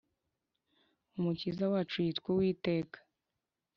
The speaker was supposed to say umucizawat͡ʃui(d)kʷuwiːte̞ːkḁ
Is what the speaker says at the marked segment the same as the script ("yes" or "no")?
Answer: no